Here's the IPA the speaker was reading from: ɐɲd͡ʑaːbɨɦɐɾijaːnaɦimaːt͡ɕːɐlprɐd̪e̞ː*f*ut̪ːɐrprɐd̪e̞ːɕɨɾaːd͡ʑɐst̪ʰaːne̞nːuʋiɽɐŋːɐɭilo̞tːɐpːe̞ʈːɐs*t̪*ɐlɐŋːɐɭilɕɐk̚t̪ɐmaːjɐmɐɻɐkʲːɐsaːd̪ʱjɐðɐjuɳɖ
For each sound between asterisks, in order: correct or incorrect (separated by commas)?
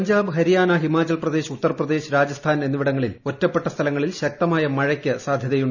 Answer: incorrect, incorrect